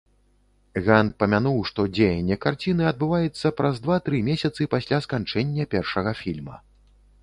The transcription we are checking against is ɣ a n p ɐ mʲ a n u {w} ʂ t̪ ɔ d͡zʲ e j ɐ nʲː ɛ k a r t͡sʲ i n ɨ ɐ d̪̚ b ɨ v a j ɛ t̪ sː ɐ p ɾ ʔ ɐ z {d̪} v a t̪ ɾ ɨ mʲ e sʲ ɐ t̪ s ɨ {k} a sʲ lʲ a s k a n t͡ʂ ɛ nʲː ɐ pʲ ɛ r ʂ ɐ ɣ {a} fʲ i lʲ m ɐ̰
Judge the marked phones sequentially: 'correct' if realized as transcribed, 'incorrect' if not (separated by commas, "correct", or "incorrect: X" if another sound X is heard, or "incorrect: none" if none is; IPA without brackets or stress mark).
correct, correct, incorrect: p, incorrect: ɐ